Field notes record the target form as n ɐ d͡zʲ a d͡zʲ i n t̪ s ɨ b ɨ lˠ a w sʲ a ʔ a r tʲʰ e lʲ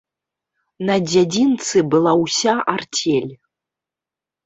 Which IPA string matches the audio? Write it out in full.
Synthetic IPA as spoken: n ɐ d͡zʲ a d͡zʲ i n t̪ s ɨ b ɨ lˠ a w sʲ a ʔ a r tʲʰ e lʲ